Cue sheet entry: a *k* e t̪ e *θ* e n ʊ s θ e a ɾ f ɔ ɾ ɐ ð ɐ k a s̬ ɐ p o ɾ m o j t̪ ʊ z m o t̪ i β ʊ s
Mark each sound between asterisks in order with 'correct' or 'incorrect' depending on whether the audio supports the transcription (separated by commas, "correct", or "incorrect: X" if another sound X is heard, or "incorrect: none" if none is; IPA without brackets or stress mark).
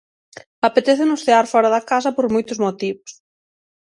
incorrect: p, correct